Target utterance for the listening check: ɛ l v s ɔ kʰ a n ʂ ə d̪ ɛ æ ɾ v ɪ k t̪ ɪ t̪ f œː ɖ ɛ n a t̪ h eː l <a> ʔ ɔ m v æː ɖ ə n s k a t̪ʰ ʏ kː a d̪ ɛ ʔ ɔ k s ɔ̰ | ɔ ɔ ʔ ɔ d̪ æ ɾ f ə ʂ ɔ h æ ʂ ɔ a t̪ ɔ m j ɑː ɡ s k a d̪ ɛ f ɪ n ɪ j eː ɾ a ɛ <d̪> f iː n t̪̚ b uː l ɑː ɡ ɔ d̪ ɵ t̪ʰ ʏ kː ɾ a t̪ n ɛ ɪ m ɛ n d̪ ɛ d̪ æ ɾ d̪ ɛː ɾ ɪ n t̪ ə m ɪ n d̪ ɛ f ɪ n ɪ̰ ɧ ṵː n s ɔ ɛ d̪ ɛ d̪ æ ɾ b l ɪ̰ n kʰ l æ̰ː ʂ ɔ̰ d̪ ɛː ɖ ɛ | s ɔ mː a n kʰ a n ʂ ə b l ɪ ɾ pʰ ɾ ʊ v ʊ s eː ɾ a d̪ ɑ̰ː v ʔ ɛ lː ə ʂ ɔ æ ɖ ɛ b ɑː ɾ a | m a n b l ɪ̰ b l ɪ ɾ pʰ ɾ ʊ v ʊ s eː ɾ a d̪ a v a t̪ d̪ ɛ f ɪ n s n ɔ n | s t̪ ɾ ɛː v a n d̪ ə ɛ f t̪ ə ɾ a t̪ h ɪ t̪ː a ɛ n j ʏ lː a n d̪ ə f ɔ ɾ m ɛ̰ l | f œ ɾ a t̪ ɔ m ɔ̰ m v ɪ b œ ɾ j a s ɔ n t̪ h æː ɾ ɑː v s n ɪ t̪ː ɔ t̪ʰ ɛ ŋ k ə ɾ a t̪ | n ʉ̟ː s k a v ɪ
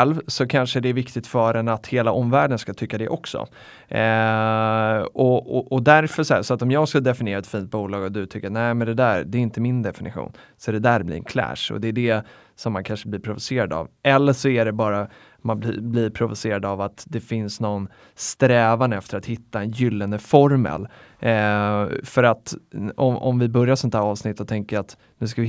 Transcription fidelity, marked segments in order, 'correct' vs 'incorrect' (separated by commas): correct, incorrect